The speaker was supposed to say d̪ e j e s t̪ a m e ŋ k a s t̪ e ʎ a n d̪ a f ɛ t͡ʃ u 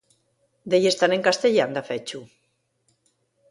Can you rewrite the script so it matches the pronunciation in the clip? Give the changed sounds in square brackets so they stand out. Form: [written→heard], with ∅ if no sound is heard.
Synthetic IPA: d̪ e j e s t̪ a [m→n] e ŋ k a s t̪ e ʎ a n d̪ a f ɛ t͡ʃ u